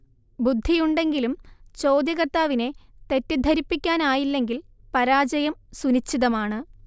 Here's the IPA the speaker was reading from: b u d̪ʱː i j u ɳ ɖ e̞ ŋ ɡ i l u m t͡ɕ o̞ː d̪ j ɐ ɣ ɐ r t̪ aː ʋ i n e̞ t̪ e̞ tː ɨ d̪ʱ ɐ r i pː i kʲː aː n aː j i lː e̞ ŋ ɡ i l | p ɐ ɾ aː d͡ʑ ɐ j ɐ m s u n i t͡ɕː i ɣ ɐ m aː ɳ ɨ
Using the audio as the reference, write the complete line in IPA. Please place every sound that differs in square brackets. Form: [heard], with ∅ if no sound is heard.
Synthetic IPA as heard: b u d̪ʱː i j u ɳ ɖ e̞ ŋ ɡ i l u m t͡ɕ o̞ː d̪ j ɐ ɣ ɐ r t̪ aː ʋ i n e̞ t̪ e̞ tː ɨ d̪ʱ ɐ [ɾ] i pː i kʲː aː n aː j i lː e̞ ŋ ɡ i l | p ɐ ɾ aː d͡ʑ ɐ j ɐ m s u n i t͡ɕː i [ð] ɐ m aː ɳ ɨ